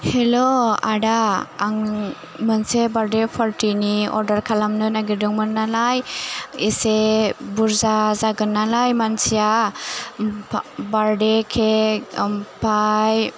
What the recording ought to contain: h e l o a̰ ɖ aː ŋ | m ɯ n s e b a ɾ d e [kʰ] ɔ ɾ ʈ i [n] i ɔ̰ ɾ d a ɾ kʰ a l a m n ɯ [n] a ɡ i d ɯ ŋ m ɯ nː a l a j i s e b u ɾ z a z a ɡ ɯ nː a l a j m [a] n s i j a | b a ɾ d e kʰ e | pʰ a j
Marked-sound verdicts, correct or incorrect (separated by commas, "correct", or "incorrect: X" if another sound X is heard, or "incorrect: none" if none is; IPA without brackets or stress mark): incorrect: pʰ, correct, correct, correct